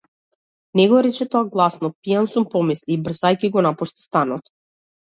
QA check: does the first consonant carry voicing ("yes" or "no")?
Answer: yes